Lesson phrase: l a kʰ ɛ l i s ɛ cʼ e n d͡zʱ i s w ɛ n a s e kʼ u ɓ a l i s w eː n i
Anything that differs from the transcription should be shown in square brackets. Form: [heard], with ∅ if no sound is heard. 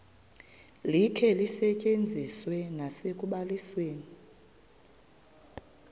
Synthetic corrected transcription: l [i] kʰ ɛ l i s ɛ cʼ e n d͡zʱ i s w ɛ n a s e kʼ u ɓ a l i s w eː n i